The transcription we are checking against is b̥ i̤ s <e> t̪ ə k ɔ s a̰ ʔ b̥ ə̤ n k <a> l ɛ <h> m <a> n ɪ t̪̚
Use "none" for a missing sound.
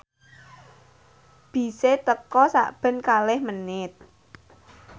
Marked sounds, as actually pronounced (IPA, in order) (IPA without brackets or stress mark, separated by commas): e, a, h, ə